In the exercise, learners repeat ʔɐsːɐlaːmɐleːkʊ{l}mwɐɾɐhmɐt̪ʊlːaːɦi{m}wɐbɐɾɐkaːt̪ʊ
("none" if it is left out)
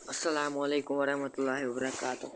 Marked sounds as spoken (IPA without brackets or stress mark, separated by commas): none, none